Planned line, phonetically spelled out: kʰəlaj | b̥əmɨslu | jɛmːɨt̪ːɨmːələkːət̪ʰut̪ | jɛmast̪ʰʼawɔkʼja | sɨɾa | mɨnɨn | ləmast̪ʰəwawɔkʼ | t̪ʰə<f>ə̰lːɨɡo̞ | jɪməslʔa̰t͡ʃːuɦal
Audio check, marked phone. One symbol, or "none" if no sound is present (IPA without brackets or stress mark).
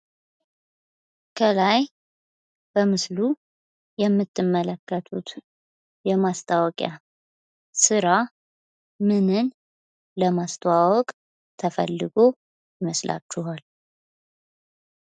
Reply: f